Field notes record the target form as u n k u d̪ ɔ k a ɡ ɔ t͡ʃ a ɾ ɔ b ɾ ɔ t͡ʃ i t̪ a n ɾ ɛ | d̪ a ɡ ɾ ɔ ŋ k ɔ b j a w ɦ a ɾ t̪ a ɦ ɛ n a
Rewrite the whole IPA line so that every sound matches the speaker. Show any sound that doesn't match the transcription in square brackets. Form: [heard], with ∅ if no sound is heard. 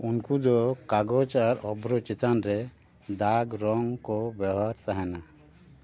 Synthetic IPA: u n k u d̪ ɔ k a ɡ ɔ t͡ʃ a ɾ ɔ b ɾ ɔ t͡ʃ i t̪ a n ɾ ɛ | d̪ a ɡ ɾ ɔ ŋ k ɔ b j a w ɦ a ɾ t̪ a ɦ ɛ n a